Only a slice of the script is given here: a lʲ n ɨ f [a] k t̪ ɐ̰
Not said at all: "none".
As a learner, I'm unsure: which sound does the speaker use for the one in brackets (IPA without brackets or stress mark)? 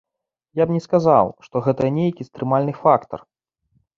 a